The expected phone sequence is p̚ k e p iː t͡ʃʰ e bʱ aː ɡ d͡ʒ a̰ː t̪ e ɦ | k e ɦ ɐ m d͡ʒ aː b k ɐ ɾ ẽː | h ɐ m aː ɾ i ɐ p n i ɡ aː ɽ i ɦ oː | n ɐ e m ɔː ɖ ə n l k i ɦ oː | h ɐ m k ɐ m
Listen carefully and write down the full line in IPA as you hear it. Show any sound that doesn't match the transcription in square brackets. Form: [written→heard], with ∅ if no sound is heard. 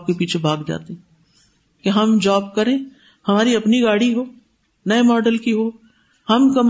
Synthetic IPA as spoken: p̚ k e p iː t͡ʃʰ e bʱ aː ɡ d͡ʒ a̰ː t̪ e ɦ | k e ɦ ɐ m d͡ʒ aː b k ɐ ɾ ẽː | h ɐ m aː ɾ i ɐ p n i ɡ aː ɽ i ɦ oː | n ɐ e m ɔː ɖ ə [n→∅] l k i ɦ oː | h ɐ m k ɐ m